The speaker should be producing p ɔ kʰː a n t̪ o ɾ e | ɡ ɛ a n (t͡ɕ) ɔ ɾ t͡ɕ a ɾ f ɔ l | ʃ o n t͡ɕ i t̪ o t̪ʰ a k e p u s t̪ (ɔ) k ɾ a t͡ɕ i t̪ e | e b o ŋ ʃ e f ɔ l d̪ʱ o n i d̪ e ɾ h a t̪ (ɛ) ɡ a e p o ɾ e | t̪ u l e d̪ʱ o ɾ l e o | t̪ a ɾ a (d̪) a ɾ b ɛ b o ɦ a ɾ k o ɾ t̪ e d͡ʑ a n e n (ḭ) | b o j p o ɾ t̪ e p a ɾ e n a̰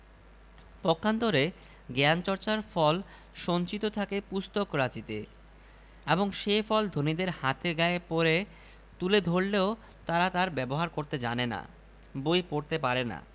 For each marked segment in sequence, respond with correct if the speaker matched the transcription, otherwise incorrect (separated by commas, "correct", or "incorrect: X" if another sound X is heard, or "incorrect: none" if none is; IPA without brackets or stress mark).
correct, incorrect: o, incorrect: e, incorrect: t̪, incorrect: a̰